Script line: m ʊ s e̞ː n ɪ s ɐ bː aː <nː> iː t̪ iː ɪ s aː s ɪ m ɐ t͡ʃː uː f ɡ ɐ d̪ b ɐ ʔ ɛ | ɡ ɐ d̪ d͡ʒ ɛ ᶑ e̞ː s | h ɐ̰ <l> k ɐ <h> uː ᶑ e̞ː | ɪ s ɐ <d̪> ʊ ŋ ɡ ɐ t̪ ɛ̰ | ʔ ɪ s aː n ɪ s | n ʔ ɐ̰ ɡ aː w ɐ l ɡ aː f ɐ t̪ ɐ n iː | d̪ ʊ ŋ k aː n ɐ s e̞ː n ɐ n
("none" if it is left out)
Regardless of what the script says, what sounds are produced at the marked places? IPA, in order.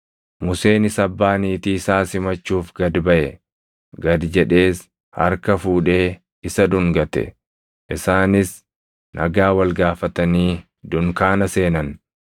n, ɾ, f, d̪

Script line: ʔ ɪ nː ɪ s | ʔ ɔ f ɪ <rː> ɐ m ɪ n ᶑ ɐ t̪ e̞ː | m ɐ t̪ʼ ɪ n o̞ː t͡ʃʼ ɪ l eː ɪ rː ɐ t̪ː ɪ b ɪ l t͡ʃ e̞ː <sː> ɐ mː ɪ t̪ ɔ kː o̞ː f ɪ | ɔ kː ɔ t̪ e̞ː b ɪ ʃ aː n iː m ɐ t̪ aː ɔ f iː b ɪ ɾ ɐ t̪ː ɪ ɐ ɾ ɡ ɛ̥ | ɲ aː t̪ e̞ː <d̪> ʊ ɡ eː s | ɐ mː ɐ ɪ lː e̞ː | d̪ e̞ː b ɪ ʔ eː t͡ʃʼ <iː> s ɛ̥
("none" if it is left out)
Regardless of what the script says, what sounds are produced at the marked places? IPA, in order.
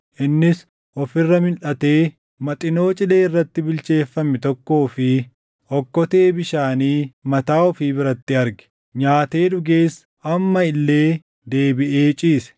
rː, fː, d̪, iː

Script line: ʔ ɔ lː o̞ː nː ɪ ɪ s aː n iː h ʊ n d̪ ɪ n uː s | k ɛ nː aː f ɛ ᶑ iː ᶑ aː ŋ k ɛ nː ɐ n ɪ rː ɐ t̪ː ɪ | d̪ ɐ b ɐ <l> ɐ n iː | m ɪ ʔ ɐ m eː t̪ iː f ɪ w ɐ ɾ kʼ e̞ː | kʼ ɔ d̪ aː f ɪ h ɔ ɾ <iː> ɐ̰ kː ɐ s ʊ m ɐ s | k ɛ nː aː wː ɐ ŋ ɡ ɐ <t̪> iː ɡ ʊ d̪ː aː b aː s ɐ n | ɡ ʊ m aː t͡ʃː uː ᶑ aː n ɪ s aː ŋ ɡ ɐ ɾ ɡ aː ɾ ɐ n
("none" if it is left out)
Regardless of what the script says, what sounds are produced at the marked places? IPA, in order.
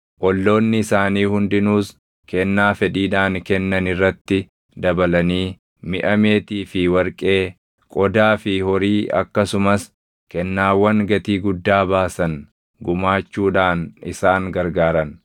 l, iː, t̪

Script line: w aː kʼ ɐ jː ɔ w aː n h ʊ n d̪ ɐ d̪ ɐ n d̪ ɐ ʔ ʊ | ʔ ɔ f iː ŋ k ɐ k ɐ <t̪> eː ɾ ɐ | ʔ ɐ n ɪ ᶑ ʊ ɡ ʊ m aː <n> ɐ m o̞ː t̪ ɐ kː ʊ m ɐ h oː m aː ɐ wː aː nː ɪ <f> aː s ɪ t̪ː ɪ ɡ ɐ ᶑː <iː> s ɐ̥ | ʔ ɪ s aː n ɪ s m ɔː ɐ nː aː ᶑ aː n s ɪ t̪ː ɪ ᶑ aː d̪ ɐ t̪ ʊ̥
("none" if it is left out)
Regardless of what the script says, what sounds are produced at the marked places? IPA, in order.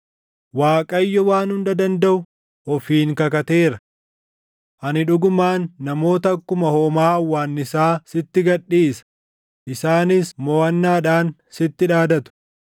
t̪, nː, s, iː

